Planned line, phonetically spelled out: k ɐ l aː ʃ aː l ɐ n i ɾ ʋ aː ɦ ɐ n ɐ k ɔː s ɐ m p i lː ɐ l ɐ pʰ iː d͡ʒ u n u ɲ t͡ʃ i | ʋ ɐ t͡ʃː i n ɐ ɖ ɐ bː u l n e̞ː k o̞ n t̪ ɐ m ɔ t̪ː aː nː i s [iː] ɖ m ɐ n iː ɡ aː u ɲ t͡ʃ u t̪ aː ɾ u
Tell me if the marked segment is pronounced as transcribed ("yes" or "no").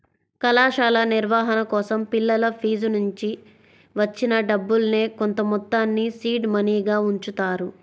yes